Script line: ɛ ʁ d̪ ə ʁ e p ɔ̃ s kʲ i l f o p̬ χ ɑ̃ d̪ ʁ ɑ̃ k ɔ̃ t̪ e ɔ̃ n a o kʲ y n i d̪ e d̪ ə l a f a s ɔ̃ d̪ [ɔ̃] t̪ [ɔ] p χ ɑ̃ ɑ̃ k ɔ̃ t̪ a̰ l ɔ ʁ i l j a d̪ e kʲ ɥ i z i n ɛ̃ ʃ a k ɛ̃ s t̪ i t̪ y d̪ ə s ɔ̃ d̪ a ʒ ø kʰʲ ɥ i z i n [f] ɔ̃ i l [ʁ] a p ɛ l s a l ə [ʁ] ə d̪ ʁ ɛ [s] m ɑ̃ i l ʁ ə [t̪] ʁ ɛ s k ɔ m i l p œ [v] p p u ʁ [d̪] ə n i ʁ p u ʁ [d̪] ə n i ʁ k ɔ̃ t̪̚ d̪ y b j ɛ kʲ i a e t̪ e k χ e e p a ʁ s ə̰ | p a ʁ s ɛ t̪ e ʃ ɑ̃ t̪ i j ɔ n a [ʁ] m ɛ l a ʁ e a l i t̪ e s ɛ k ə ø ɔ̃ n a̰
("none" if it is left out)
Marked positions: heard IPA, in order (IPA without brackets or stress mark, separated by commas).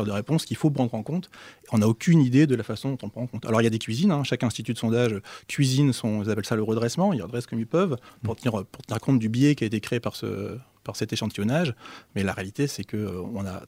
ɔ̃, ɔ̃, s, z, ʁ, s, d̪, v, t̪, t̪, ʒ